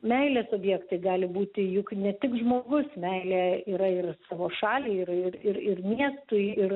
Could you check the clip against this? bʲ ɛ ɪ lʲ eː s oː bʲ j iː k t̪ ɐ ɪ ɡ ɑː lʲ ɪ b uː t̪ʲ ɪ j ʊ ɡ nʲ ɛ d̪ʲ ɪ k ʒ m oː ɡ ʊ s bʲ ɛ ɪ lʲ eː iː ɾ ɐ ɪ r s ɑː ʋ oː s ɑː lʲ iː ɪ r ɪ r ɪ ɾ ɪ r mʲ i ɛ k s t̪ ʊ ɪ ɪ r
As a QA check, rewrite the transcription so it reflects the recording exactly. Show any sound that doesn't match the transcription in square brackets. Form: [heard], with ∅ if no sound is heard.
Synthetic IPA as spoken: [mʲ] ɛ ɪ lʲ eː s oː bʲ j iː k t̪ ɐ ɪ ɡ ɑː lʲ ɪ b uː t̪ʲ ɪ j ʊ [k] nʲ ɛ [t̪ʲ] ɪ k ʒ m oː ɡ ʊ s [mʲ] ɛ ɪ lʲ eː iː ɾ ɐ ɪ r s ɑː ʋ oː [ʃ] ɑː lʲ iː ɪ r ɪ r ɪ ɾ ɪ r mʲ i ɛ [∅] s t̪ ʊ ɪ ɪ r